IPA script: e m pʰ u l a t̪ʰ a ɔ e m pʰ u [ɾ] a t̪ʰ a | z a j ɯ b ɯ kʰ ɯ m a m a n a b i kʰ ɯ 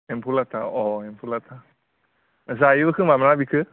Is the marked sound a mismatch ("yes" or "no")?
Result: yes